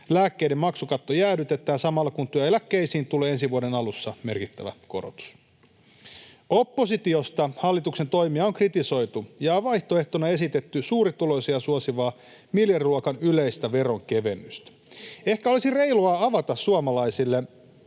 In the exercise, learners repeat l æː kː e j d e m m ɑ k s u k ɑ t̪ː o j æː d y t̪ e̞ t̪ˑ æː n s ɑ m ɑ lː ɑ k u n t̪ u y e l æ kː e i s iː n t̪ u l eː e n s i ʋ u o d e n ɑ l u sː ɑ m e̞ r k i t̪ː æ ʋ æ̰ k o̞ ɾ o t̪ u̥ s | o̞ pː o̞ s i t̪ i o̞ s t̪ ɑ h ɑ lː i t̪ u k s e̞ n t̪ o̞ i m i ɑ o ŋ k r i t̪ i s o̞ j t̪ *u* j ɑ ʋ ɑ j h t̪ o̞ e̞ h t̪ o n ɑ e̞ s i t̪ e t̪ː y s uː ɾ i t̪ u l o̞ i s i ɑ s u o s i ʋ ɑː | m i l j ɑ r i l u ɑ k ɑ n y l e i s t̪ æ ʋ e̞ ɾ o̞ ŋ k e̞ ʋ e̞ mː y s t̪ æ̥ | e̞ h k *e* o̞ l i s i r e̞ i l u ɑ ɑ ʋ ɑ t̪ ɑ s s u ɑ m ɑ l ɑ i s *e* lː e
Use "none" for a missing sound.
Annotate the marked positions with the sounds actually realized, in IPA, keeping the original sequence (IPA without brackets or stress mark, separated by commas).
u, æ, i